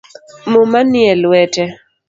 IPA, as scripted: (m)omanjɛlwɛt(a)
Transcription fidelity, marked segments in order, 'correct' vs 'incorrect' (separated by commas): correct, incorrect